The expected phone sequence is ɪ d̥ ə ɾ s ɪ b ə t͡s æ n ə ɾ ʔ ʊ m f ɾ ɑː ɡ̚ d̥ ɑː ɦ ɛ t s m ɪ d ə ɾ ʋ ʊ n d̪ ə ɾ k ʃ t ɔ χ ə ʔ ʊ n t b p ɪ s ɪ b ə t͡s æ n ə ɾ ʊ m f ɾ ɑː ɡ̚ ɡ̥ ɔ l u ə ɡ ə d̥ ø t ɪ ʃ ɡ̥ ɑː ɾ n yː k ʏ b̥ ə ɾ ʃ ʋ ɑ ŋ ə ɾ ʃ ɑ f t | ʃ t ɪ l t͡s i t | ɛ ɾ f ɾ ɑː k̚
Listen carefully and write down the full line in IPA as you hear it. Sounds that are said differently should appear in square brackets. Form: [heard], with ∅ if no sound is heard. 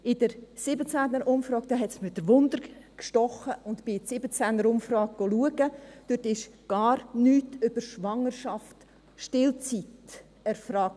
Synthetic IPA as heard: ɪ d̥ ə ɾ s ɪ b ə t͡s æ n ə ɾ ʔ ʊ m f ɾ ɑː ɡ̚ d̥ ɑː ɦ ɛ t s m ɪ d ə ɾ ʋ ʊ n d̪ ə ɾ k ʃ t ɔ χ ə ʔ ʊ n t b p ɪ s ɪ b ə t͡s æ n ə ɾ ʊ m f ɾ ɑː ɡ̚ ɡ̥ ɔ l u ə ɡ ə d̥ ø t ɪ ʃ ɡ̥ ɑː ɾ n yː [t] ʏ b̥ ə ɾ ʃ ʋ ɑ ŋ ə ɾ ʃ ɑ f t | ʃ t ɪ l t͡s i t | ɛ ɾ f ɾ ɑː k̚